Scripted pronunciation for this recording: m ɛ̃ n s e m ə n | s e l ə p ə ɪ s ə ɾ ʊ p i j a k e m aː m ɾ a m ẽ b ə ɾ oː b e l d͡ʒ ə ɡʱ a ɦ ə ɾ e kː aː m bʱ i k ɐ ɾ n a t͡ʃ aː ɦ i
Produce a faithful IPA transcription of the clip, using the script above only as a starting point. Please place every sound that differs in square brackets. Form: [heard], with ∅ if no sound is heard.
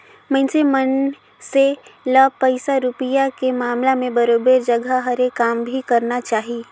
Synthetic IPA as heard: m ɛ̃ n s e m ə n | s e l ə p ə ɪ s [a] ɾ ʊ p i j a k e m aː m [l] a m ẽ b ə ɾ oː b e [ɾ] d͡ʒ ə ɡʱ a ɦ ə ɾ e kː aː m bʱ i k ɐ ɾ n a t͡ʃ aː ɦ i